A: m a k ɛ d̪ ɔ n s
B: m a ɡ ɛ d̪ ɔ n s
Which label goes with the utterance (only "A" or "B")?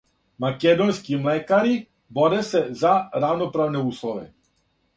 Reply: A